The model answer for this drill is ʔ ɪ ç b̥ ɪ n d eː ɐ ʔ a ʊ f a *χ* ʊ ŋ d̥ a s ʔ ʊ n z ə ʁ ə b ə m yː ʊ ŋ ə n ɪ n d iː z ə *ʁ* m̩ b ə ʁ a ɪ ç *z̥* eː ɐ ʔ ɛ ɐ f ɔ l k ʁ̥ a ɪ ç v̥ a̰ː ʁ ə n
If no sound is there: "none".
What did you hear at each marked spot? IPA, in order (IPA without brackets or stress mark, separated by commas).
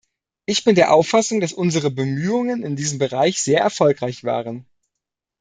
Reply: s, none, z̥